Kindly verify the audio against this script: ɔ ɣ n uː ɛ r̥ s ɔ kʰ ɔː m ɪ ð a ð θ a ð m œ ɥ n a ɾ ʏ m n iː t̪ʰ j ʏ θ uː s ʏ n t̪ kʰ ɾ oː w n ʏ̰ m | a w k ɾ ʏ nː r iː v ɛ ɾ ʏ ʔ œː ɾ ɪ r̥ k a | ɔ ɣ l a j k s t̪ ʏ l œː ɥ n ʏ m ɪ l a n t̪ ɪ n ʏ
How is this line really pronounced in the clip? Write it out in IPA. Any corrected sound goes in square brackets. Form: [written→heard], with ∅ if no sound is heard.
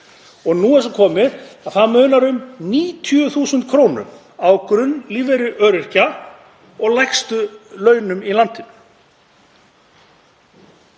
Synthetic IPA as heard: ɔ ɣ n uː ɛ [r̥→∅] s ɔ kʰ ɔː m ɪ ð a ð θ a ð m œ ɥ n a ɾ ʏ m n iː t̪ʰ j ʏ θ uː s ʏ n t̪ kʰ ɾ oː w n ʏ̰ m | a w k ɾ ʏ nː [r→l] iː v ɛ ɾ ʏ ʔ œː ɾ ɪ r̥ [k→c] a | ɔ ɣ l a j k s t̪ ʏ l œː ɥ n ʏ m [ɪ→i] l a n t̪ ɪ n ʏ